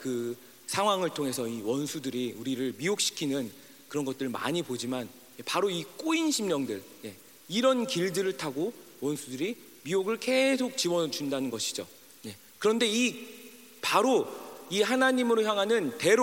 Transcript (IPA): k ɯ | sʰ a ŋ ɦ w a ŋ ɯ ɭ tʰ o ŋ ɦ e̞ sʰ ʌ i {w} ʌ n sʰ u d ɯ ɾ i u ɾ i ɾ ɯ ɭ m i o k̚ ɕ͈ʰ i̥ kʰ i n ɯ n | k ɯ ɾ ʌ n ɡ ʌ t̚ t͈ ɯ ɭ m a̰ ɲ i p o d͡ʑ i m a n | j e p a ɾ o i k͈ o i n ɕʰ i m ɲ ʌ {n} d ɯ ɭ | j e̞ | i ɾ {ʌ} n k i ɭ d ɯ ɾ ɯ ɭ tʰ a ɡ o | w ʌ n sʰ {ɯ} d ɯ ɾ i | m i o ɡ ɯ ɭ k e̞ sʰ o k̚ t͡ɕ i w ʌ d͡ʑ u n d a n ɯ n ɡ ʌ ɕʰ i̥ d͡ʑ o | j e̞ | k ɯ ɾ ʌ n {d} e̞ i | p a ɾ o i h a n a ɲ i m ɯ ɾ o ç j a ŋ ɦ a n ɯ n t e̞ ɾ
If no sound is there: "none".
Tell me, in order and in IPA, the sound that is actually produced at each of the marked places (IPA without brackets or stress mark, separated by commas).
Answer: w, ŋ, ʌ, u, d